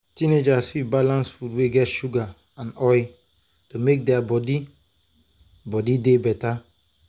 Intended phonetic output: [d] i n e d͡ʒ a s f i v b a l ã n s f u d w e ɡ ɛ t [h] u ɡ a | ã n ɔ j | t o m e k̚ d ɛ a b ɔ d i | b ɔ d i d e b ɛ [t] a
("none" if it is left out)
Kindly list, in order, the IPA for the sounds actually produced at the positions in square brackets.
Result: t, ʃ, t

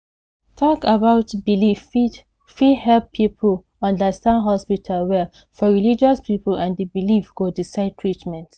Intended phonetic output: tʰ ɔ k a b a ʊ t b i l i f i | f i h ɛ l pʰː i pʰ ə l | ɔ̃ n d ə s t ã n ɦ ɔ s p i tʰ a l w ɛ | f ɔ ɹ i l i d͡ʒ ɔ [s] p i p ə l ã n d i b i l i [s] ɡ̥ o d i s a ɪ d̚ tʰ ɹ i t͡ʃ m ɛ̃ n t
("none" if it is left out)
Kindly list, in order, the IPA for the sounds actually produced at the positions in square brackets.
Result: s, f

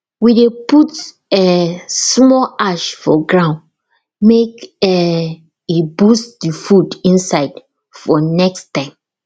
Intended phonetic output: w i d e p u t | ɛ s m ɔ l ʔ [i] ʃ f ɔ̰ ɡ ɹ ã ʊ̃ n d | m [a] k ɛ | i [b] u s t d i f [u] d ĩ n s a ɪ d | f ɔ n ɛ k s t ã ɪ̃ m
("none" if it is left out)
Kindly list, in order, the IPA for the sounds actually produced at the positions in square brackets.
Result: a, e, b, u

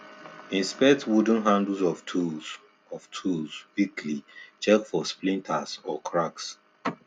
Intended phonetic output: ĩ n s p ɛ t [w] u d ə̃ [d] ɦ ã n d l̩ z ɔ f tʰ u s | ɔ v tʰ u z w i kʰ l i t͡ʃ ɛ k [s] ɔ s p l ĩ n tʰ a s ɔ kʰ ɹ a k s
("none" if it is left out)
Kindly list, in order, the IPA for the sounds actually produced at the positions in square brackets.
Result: w, n, f

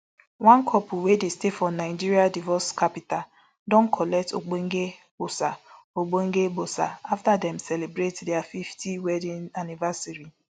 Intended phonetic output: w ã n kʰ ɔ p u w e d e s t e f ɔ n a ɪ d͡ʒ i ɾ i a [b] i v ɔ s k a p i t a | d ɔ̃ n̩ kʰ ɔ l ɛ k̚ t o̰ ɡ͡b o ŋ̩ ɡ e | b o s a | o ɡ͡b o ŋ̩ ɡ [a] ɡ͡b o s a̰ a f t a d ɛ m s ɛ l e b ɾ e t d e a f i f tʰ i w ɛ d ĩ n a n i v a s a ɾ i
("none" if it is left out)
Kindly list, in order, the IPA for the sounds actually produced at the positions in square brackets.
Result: d, e

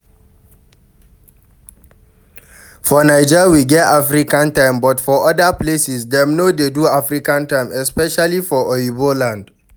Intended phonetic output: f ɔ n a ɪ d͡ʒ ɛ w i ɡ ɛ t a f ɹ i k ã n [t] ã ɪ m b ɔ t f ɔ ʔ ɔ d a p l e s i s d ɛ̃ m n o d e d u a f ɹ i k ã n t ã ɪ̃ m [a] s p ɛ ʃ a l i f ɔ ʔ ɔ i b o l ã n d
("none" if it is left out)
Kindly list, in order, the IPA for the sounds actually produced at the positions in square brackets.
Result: t, ɛ

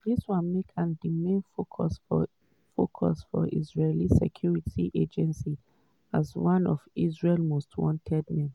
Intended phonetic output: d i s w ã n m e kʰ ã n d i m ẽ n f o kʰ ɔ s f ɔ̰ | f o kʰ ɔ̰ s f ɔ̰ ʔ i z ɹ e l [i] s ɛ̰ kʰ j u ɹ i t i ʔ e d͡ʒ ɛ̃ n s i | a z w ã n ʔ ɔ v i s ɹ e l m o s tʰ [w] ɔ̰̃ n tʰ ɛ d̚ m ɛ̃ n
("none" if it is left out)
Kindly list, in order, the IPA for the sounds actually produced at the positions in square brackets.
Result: i, w

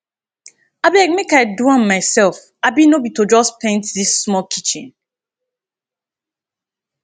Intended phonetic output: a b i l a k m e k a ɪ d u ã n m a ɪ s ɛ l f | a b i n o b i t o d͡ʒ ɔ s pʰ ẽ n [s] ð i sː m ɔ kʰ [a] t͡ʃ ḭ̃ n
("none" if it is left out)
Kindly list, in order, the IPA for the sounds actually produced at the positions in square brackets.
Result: t, i

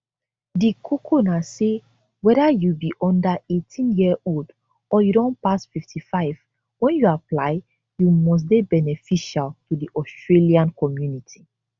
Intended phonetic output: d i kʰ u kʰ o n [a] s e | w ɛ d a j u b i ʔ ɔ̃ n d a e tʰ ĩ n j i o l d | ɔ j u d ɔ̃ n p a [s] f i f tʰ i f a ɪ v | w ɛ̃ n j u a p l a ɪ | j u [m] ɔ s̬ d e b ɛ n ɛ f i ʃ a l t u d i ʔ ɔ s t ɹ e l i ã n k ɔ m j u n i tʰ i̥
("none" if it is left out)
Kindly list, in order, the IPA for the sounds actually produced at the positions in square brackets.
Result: a, s, m

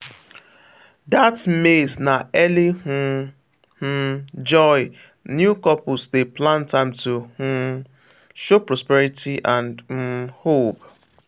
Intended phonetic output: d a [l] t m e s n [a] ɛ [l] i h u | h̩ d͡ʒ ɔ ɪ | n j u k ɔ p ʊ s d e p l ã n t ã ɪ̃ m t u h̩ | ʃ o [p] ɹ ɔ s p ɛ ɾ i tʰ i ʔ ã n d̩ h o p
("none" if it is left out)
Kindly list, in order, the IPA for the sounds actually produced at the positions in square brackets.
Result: none, a, l, p

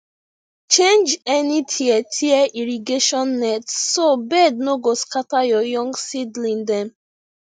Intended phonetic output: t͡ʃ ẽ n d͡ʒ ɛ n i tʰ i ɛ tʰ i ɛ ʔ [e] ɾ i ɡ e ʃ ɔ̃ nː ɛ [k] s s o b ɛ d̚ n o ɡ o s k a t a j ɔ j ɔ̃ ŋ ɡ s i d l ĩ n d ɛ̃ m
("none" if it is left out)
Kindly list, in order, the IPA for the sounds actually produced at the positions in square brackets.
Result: i, t

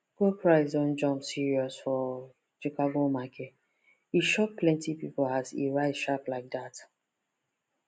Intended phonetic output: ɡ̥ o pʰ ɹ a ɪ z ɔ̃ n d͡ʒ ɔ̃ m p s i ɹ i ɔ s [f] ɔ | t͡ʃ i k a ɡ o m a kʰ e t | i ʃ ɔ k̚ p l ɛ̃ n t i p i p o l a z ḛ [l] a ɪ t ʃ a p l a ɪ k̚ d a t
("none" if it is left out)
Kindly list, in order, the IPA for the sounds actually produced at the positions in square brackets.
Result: f, ɹ

